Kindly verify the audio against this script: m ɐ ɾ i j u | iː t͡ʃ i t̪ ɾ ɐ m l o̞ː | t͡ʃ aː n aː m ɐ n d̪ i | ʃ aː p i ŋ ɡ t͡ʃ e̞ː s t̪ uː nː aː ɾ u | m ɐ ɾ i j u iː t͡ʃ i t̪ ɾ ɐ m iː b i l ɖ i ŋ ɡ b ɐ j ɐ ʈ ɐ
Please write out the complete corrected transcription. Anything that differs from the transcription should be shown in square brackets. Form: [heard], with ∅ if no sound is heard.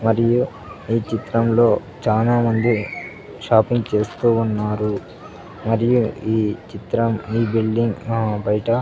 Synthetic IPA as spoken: m ɐ ɾ i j u | iː t͡ʃ i t̪ ɾ ɐ m l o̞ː | t͡ʃ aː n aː m ɐ n d̪ i | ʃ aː p i ŋ ɡ t͡ʃ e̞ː s t̪ uː nː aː ɾ u | m ɐ ɾ i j u iː t͡ʃ i t̪ ɾ ɐ m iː b i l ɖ i ŋ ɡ b ɐ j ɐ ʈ ɐ